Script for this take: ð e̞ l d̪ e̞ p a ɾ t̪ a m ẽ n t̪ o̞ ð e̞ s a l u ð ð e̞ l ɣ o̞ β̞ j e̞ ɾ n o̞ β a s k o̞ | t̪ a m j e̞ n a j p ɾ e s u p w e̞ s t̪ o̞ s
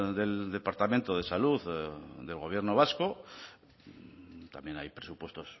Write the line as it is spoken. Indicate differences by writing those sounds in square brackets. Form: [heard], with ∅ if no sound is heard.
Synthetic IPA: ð e̞ l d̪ e̞ p a ɾ t̪ a m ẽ n t̪ o̞ ð e̞ s a l u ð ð e̞ l ɣ o̞ β̞ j e̞ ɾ n o̞ β a s k o̞ | t̪ a m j e̞ n a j p ɾ e s u p w e̞ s t̪ o̞ s